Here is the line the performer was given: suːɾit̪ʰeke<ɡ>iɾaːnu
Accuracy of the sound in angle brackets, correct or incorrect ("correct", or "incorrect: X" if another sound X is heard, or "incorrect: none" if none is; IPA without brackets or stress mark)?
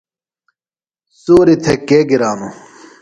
correct